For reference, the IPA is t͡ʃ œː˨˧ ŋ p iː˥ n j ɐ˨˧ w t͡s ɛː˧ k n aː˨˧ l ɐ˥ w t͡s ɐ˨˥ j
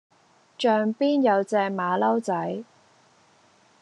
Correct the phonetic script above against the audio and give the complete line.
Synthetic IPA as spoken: t͡ʃ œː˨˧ ŋ p iː˥ n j ɐ˨˧ w t͡s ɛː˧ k m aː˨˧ l ɐ˥ w t͡s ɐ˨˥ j

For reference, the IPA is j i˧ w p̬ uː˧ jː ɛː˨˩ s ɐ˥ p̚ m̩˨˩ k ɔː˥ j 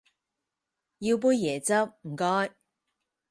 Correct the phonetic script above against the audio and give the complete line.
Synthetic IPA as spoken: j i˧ w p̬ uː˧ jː ɛː˨˩ t͡s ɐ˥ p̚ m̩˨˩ k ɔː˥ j

